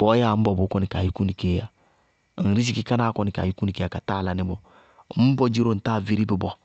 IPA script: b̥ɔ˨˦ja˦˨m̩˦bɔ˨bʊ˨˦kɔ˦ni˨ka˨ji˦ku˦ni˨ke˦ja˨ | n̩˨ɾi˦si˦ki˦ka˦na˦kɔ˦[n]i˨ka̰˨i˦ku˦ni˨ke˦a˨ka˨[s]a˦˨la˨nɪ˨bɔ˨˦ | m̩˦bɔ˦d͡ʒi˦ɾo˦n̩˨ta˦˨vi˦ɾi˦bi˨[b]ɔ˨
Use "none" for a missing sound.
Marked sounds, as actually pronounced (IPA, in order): n, t, b

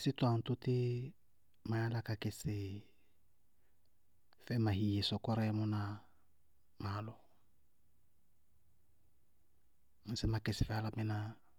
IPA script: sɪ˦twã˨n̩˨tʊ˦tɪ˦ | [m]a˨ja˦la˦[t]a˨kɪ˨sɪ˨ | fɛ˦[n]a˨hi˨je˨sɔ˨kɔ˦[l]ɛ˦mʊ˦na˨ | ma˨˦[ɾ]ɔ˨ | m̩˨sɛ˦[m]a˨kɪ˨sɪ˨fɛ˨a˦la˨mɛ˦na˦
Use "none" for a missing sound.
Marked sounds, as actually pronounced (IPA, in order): m, k, m, ɾ, l, m

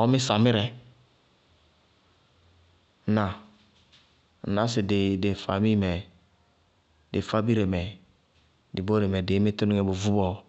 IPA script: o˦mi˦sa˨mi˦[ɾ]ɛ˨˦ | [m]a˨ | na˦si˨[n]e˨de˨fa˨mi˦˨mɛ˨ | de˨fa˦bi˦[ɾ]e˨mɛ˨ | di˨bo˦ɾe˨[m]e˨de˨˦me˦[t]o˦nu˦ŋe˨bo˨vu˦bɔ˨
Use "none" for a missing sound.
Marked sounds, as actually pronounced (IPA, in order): ɾ, n, d, ɾ, m, t

